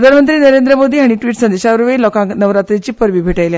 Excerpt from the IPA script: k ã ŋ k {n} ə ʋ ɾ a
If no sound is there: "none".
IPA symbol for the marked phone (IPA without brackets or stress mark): n